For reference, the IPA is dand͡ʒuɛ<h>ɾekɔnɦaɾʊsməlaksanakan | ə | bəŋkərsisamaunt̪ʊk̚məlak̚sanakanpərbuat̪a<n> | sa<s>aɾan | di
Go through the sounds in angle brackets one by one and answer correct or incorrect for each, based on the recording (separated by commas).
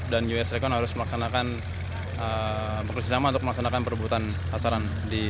incorrect, correct, correct